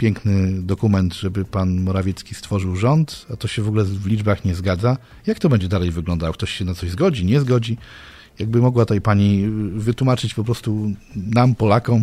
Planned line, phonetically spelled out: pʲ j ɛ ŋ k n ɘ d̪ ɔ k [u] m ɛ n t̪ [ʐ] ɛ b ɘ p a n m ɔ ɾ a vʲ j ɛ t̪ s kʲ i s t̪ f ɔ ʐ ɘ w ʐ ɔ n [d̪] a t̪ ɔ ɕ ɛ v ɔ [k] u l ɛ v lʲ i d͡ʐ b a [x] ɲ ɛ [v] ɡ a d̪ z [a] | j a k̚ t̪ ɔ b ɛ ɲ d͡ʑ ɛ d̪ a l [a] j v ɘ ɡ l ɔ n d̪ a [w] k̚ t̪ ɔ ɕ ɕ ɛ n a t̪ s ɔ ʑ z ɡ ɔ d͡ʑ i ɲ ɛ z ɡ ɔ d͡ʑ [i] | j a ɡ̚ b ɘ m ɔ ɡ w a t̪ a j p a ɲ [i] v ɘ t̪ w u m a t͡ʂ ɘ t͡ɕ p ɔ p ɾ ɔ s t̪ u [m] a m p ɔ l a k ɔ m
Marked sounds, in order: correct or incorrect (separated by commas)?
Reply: correct, correct, incorrect, incorrect, correct, incorrect, correct, incorrect, correct, correct, correct, incorrect